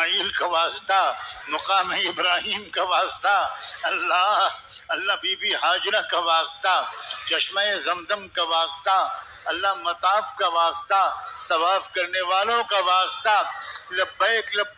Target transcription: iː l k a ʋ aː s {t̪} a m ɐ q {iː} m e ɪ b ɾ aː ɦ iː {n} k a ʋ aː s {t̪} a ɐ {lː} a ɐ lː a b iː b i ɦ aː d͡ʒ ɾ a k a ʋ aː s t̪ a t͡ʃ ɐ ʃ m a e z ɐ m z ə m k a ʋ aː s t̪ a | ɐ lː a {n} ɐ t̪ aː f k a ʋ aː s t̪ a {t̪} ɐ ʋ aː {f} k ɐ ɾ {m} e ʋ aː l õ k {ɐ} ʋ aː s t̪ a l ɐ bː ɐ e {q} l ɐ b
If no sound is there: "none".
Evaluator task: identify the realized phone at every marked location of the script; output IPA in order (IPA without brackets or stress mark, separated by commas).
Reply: t̪, aː, m, t̪, lː, m, t̪, f, n, a, k